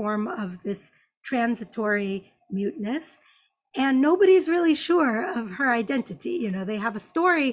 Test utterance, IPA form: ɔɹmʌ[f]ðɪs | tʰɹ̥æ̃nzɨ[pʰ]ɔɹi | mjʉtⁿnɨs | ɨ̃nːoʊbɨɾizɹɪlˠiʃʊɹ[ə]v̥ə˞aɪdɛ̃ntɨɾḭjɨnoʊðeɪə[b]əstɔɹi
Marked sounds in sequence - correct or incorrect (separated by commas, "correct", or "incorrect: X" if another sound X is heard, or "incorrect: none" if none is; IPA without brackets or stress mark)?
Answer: incorrect: v, incorrect: tʰ, incorrect: ʌ, incorrect: v